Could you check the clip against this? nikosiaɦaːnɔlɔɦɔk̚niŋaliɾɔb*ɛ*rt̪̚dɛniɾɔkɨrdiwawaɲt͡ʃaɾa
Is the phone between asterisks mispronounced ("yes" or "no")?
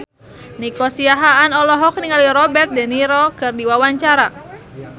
no